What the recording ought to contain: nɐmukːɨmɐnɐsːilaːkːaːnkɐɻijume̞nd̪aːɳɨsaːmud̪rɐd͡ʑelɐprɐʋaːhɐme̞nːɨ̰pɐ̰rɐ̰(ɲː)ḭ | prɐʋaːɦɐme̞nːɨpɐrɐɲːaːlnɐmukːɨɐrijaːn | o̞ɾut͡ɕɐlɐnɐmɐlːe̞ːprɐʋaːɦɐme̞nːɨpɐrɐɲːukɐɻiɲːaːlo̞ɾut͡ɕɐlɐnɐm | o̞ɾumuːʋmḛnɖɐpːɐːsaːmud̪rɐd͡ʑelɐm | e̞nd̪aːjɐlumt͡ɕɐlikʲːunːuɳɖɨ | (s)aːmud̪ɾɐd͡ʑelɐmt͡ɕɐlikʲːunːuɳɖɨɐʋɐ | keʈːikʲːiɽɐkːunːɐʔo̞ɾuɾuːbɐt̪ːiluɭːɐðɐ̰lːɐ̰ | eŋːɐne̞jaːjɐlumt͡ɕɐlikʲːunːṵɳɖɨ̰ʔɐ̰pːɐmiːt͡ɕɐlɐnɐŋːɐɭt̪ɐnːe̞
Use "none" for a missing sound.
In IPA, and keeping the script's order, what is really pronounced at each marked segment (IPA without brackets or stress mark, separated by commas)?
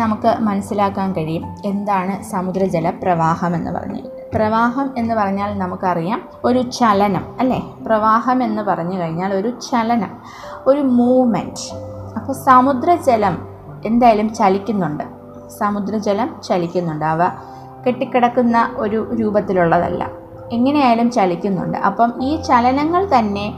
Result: ɲː, s